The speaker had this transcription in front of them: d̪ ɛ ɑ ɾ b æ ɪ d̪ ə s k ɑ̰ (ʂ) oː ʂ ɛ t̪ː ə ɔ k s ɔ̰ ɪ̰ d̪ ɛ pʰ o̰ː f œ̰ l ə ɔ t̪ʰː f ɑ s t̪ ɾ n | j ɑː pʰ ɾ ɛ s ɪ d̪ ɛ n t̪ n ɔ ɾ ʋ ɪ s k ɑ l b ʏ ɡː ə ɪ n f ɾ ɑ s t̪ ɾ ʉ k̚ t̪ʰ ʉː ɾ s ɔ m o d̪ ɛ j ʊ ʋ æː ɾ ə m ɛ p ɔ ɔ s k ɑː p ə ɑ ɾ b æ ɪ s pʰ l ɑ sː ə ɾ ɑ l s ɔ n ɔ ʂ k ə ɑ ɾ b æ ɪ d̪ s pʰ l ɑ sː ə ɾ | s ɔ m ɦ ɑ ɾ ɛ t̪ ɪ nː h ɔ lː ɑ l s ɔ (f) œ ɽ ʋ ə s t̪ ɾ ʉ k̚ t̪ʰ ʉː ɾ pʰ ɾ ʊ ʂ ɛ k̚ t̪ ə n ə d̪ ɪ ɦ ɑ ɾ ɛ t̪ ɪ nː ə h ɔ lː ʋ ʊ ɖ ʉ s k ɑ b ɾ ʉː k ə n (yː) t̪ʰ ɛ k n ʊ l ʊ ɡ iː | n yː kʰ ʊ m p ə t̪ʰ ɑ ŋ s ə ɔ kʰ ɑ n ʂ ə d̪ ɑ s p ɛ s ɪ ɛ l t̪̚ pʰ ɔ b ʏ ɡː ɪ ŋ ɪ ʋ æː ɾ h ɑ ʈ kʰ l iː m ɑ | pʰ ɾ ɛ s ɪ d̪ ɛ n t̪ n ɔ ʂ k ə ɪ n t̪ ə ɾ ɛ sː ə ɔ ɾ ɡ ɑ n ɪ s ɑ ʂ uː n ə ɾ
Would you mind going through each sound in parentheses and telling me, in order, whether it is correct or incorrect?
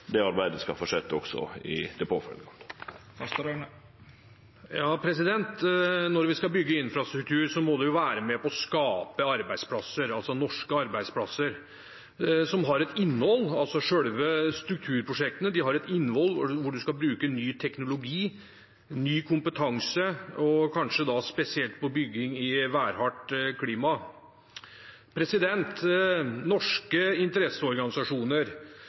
incorrect: f, incorrect: ʂ, correct

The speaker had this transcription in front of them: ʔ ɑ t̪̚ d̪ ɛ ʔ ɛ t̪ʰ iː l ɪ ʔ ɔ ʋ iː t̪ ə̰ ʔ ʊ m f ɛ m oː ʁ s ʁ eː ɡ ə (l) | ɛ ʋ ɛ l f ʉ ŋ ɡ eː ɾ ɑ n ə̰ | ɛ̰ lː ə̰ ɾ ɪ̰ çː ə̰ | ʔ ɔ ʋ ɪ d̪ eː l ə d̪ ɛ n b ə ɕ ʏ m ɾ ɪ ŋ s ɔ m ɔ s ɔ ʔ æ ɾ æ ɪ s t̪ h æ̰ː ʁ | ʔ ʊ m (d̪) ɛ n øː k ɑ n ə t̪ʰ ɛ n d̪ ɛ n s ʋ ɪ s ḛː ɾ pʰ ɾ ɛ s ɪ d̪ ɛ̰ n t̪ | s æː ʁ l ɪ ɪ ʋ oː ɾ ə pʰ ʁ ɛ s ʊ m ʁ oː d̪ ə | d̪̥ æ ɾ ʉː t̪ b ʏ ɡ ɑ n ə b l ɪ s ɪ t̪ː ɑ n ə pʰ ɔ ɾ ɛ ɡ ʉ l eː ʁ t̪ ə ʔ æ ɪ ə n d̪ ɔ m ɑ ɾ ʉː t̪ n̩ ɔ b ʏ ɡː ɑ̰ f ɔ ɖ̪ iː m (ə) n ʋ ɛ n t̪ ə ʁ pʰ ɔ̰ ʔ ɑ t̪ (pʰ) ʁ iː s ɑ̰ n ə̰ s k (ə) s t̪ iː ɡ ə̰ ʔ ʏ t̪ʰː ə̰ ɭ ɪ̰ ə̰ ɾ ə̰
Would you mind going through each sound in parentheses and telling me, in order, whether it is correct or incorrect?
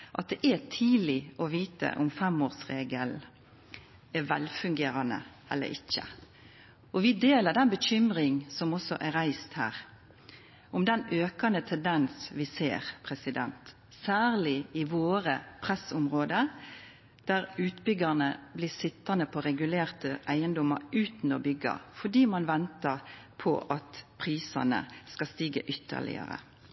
correct, correct, incorrect: ɑ, correct, incorrect: ɑ

